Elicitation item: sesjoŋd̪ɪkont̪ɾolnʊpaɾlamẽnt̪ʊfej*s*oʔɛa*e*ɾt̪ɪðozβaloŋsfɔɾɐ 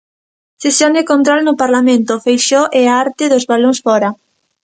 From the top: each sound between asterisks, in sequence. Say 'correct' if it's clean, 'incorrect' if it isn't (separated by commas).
incorrect, incorrect